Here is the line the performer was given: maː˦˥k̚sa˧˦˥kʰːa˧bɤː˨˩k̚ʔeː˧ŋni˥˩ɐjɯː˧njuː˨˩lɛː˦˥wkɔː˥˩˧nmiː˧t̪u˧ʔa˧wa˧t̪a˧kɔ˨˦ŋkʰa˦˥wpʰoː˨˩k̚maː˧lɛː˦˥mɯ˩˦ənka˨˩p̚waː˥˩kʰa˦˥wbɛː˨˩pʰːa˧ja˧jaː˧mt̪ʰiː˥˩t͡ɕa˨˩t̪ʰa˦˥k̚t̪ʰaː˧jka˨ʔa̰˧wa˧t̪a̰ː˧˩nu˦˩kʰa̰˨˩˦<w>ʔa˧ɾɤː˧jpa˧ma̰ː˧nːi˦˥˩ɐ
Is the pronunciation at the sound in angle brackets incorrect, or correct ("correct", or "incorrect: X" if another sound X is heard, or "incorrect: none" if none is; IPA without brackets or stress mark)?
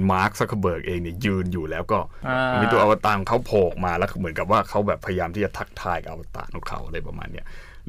correct